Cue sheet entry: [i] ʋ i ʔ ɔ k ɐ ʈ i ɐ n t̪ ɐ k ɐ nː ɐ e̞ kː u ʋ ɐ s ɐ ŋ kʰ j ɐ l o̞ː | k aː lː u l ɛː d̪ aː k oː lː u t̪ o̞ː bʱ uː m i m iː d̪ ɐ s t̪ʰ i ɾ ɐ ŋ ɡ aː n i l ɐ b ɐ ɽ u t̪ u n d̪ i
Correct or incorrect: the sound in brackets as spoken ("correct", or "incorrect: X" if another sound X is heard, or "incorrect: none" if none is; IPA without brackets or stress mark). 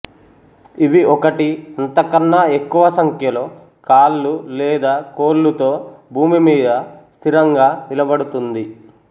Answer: correct